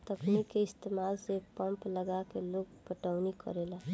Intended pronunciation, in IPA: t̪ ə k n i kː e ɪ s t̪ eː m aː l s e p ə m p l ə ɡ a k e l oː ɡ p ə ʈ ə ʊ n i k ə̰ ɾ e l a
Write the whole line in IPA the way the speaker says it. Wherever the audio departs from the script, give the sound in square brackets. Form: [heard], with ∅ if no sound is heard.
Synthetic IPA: t̪ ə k n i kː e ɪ s t̪ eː m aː l s e p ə m p l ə ɡ a k e l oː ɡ p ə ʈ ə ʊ n i k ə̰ ɾ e l a